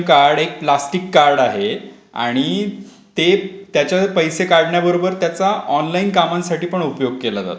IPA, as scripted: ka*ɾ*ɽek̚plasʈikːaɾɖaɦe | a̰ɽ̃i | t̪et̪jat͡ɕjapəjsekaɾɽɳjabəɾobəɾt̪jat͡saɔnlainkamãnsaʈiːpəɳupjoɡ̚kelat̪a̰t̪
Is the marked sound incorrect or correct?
correct